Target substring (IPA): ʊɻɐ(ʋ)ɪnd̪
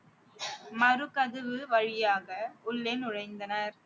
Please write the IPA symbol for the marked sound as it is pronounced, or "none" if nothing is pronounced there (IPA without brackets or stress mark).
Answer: none